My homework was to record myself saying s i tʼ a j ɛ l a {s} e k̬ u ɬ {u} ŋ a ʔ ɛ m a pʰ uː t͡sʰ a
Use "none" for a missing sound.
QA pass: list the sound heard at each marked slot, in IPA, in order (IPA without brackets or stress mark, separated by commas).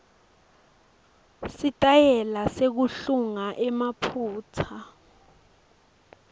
s, u